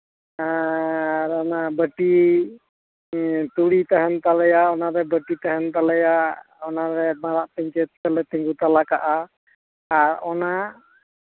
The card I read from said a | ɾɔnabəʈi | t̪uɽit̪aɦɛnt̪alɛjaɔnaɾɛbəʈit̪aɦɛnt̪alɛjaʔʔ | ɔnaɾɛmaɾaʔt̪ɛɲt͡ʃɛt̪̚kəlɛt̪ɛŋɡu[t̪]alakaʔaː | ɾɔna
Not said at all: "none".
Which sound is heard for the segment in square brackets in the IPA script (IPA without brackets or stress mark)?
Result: t̪